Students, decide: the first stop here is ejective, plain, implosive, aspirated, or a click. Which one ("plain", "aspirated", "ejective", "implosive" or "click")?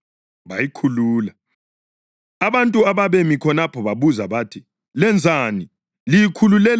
aspirated